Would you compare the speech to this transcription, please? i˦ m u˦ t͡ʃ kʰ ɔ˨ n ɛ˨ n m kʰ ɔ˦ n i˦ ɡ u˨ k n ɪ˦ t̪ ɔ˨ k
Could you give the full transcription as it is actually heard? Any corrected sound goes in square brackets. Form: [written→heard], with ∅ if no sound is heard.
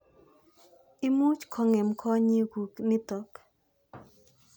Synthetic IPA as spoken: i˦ m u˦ t͡ʃ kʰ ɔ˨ [n→ŋ] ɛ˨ [n→∅] m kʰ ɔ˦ [n→ɲ] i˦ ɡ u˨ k n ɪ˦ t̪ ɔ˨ k